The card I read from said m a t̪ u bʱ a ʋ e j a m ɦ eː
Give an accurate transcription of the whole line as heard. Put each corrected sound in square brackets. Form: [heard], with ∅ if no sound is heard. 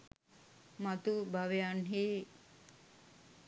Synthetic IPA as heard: m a t̪ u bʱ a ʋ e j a [n] ɦ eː